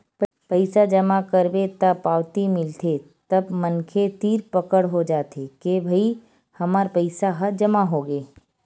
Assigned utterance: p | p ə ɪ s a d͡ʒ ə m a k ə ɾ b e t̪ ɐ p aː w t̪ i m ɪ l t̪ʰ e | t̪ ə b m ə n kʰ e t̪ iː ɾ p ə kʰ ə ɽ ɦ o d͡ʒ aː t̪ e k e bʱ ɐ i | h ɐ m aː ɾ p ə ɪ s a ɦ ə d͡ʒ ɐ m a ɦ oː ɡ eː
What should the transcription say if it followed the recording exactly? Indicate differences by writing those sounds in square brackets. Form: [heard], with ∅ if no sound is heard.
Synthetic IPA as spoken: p | p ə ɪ s a d͡ʒ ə m a k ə ɾ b e t̪ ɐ p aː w t̪ i m ɪ l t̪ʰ e | t̪ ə b m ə n kʰ e t̪ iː ɾ p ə [k] ə ɽ ɦ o d͡ʒ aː t̪ e k e bʱ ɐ i | h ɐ m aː ɾ p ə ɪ s a ɦ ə d͡ʒ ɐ m a ɦ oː ɡ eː